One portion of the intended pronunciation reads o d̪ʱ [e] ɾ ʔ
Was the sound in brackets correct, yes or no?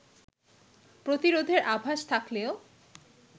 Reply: yes